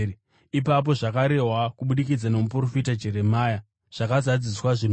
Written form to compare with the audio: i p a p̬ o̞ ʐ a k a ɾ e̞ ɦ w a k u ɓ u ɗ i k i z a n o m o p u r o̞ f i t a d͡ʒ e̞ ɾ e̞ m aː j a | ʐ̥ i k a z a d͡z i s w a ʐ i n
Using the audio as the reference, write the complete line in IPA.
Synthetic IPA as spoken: i p a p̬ o̞ ʐ a k a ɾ e̞ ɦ w a k u ɓ u ɗ i k i d͡z a n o m u p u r o̞ f i t a d͡ʒ e̞ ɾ e̞ m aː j a | ʐ̥ a k a z a d͡z i s w a ʐ i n